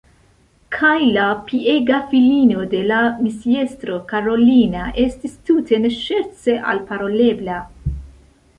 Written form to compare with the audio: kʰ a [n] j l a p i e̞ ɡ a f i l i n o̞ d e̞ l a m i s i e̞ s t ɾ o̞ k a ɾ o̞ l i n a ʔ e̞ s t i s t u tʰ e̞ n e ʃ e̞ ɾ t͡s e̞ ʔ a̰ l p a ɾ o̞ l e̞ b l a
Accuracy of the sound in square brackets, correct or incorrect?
incorrect